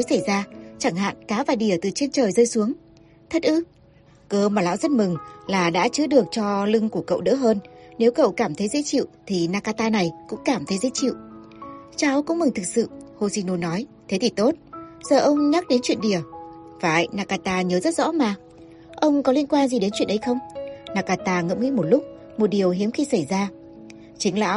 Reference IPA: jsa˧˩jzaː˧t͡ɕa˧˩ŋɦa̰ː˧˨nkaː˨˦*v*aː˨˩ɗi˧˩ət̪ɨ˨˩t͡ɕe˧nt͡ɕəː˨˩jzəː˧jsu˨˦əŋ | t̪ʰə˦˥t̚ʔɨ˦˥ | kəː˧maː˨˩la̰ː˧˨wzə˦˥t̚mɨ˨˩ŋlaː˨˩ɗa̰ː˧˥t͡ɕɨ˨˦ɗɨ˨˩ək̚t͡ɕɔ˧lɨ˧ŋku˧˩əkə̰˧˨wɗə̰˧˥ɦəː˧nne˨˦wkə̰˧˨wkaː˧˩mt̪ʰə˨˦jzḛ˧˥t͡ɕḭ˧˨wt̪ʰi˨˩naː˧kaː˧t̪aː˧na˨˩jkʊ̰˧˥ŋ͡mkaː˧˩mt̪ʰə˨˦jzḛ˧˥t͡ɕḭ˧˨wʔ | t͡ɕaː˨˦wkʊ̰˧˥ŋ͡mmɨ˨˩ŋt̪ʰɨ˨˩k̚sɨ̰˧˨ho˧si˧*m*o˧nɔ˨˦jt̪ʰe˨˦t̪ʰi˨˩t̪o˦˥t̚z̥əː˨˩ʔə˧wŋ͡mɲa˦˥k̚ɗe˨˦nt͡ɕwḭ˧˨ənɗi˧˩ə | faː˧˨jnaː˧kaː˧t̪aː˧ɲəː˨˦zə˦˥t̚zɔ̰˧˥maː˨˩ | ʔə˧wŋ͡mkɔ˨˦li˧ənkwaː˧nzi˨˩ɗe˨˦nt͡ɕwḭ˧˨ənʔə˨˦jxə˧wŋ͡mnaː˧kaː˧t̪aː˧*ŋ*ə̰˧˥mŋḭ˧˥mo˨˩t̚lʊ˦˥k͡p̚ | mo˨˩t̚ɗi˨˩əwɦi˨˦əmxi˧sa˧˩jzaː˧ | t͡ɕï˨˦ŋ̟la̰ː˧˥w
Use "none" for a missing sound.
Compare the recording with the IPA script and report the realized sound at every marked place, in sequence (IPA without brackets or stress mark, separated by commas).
v, n, ŋ